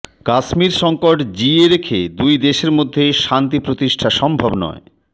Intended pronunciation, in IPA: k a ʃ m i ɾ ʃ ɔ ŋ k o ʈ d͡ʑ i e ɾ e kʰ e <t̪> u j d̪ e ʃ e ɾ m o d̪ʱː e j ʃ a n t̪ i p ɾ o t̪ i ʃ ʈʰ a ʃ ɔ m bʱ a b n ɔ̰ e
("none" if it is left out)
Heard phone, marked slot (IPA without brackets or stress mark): d̪